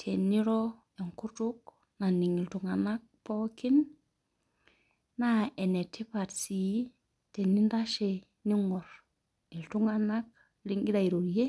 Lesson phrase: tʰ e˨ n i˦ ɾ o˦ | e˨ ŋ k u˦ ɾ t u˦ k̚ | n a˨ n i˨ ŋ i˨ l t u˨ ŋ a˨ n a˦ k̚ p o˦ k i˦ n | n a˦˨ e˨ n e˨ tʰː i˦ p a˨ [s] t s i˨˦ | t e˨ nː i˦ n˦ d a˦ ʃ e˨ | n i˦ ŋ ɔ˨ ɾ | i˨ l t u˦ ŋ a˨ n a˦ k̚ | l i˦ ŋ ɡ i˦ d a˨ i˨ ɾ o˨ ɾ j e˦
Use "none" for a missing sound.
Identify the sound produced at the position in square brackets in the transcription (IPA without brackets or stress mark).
none